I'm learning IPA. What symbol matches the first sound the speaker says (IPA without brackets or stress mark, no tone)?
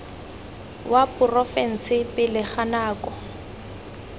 w